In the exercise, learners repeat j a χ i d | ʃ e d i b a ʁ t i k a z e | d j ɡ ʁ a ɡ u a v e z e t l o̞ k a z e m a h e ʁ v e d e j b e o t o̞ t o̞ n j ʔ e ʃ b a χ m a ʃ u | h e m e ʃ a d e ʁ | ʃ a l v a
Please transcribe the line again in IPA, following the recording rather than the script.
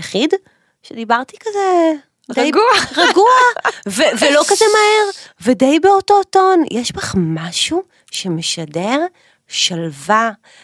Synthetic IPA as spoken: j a χ i d | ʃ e d i b a ʁ t i k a z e | d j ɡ ʁ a ɡ u a v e v e l o̞ k a z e m a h e ʁ v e d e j b e o t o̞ t o̞ n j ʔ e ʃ b a χ m a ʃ u | ʃ e m e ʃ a d e ʁ | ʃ a l v a